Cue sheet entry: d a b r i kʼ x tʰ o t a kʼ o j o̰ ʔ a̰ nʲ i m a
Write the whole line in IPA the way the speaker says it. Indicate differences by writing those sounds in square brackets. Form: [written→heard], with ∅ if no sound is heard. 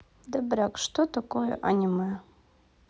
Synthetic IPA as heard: d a b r [i→a] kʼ [x→ʂ] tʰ o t a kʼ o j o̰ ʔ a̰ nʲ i m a